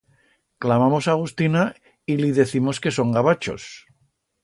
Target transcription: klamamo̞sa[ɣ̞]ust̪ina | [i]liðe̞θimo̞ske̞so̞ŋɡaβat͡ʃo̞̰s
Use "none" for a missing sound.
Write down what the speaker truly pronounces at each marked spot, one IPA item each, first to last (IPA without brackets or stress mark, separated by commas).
ɣ̞, i